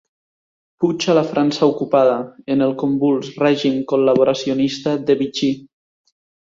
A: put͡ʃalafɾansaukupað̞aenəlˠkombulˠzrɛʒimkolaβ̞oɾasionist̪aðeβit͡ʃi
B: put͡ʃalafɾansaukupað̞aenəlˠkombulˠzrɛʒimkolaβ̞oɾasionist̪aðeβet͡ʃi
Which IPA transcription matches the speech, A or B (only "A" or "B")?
A